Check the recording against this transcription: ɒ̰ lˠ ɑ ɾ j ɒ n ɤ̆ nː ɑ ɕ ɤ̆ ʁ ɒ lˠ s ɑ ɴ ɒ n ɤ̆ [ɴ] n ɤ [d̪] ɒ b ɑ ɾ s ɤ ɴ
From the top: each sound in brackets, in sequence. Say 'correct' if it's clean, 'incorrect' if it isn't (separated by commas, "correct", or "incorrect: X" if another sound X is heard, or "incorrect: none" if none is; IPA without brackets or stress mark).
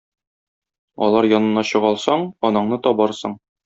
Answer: correct, incorrect: t̪